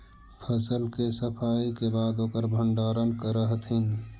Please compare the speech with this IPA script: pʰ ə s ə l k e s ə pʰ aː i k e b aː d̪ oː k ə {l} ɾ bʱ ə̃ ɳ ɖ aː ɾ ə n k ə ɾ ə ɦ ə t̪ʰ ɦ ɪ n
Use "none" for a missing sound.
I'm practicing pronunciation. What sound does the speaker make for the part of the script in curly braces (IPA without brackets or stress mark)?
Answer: none